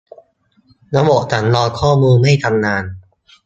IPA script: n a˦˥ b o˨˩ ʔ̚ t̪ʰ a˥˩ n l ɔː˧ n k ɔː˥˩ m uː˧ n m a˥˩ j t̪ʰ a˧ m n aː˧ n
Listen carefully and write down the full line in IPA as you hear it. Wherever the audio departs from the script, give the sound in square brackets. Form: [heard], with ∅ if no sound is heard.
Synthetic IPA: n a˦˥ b o˨˩ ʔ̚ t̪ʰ [a˩˦] n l ɔː˧ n [kʰ] ɔː˥˩ m uː˧ n m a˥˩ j t̪ʰ a˧ m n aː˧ n